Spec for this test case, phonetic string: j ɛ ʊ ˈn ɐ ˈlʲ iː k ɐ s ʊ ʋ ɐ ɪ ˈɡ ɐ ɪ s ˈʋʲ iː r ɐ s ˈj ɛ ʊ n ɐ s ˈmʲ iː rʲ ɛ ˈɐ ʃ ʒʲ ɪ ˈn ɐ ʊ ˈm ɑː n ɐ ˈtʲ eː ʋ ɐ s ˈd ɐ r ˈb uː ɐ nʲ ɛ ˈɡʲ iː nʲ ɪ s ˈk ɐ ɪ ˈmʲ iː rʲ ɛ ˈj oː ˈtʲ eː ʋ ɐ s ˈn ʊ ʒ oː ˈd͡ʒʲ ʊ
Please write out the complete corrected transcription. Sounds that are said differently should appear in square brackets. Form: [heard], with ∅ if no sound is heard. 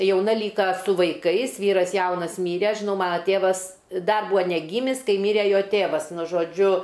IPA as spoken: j ɛ ʊ ˈn ɐ ˈlʲ iː k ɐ s ʊ ʋ ɐ ɪ [ˈk] ɐ ɪ s ˈʋʲ iː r ɐ s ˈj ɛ ʊ n ɐ s ˈmʲ iː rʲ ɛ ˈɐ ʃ ʒʲ ɪ ˈn ɐ ʊ ˈm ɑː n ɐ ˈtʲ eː ʋ ɐ s ˈd ɐ r ˈb uː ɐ nʲ ɛ ˈɡʲ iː [mʲ] ɪ s ˈk ɐ ɪ ˈmʲ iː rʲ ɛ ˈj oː ˈtʲ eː ʋ ɐ s ˈn ʊ ʒ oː ˈd͡ʒʲ ʊ